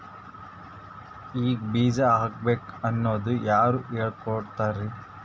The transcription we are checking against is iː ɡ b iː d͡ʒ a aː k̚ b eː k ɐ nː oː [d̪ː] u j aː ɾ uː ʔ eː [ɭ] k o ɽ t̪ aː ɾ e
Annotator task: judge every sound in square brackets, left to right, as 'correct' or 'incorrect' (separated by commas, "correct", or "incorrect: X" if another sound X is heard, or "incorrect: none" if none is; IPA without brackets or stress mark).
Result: incorrect: d̪, correct